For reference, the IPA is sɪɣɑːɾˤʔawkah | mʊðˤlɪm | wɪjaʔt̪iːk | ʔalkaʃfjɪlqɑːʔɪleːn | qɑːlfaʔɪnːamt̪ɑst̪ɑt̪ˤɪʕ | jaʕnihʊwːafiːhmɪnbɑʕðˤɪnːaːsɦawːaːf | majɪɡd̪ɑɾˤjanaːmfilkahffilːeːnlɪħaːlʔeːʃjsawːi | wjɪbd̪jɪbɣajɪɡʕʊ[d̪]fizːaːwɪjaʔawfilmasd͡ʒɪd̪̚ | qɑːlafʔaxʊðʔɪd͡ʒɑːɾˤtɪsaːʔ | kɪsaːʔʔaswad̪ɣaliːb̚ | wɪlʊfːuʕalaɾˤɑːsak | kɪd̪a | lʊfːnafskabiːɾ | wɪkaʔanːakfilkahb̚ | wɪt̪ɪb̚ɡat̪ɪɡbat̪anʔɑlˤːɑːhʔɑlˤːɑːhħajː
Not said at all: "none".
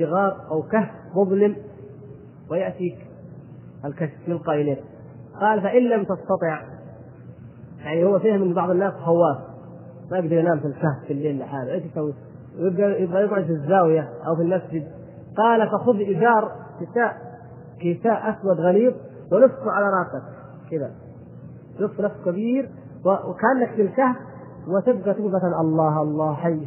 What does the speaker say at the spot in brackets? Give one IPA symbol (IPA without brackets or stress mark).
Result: d̪